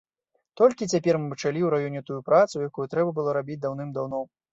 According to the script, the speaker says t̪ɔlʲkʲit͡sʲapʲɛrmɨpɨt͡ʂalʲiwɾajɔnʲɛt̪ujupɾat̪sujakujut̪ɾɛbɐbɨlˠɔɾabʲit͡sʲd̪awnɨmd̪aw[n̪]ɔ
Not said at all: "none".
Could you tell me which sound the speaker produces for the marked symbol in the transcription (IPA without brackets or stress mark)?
n̪